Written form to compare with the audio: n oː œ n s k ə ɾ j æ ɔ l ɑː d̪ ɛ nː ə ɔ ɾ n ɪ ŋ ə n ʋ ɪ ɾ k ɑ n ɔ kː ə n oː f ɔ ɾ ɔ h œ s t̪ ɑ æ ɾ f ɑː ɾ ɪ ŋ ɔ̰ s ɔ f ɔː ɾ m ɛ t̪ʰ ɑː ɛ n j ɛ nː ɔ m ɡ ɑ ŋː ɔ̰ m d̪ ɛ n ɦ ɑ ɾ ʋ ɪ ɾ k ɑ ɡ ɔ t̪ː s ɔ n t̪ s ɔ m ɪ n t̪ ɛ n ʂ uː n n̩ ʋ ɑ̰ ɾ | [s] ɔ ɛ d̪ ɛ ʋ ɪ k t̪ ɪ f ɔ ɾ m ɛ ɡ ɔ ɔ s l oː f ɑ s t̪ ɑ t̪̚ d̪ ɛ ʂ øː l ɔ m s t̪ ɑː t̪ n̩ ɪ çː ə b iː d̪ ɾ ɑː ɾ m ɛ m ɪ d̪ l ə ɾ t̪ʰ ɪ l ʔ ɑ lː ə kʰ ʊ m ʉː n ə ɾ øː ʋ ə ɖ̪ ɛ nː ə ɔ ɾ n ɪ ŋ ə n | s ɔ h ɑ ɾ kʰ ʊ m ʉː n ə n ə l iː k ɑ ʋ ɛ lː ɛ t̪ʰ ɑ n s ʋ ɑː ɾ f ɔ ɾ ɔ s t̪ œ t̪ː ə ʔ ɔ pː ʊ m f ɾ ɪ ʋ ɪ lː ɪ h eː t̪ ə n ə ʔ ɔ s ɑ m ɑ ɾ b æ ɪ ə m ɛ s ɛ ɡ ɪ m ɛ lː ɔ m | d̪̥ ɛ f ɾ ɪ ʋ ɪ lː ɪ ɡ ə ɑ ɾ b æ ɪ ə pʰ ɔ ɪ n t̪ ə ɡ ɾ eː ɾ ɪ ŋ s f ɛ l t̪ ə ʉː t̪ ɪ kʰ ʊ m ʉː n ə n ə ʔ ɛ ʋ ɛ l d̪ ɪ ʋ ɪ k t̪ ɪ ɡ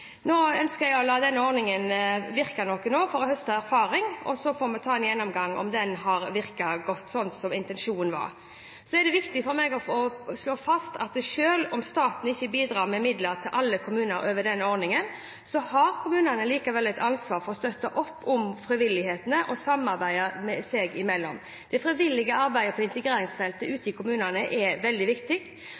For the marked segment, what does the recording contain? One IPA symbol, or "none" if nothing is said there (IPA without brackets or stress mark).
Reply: s